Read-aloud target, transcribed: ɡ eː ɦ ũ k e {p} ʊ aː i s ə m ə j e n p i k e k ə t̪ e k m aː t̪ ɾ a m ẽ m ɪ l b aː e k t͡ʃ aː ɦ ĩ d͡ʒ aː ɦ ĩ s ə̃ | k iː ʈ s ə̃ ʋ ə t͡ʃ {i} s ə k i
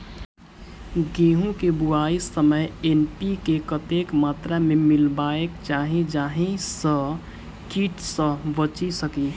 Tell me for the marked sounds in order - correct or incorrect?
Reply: incorrect: b, correct

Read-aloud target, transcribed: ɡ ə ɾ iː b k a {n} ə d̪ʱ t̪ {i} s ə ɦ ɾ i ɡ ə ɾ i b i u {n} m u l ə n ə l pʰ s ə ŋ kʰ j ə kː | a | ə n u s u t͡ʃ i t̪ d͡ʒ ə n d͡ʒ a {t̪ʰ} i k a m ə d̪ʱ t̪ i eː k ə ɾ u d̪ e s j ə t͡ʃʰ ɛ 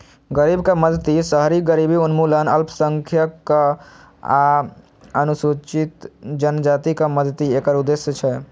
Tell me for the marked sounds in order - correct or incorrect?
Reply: incorrect: m, correct, correct, incorrect: t̪

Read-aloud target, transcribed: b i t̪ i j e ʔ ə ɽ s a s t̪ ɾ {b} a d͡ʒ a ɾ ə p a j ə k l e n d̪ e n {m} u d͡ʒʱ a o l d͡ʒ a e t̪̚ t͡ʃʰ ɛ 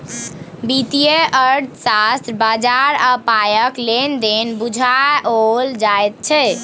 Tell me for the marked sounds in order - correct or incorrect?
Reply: correct, incorrect: b

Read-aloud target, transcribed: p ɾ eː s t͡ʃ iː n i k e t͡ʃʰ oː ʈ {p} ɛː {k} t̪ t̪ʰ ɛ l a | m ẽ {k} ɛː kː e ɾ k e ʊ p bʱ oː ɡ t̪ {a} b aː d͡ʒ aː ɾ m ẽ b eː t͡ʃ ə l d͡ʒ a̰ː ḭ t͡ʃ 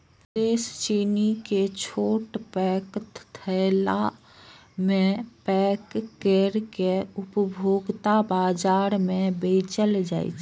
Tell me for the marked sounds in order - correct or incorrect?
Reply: correct, correct, incorrect: p, correct

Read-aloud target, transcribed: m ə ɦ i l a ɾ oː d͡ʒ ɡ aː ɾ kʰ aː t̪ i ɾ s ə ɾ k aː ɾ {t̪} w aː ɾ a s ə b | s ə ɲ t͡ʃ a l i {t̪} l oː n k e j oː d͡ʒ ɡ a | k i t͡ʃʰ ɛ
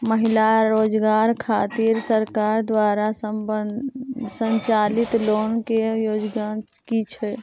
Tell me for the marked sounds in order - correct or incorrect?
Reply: incorrect: d̪, correct

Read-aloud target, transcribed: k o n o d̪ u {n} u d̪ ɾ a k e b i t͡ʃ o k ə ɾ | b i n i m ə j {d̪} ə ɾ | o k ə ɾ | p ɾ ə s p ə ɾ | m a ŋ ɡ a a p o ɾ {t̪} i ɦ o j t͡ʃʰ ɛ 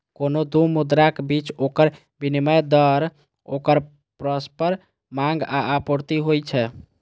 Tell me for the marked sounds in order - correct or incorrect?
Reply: incorrect: m, correct, correct

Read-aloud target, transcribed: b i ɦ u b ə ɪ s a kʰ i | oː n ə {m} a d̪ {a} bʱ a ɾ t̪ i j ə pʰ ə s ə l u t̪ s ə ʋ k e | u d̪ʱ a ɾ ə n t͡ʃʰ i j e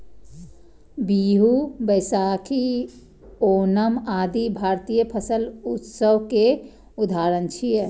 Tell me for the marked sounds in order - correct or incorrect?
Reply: correct, incorrect: i

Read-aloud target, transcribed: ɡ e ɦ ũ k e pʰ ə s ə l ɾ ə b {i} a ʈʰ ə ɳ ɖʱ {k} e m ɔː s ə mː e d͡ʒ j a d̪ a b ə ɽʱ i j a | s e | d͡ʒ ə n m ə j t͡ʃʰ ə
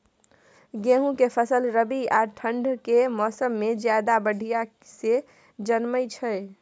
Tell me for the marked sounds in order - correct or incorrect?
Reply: correct, correct

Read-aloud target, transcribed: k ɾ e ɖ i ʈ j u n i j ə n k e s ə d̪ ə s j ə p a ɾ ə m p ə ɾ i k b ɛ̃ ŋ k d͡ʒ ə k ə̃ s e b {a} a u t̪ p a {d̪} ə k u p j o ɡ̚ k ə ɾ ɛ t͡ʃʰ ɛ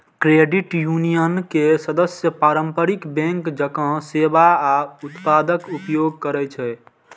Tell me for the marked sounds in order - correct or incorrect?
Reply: correct, correct

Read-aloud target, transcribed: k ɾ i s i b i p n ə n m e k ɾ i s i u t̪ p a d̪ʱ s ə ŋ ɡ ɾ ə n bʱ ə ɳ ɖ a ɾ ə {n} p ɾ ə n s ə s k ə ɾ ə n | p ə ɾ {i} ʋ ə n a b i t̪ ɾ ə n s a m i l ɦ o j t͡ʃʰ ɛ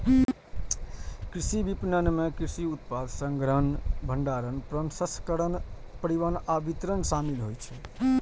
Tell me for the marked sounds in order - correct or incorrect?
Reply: correct, correct

